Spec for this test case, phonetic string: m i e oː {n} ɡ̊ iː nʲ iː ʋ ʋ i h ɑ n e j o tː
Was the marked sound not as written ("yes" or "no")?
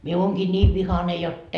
yes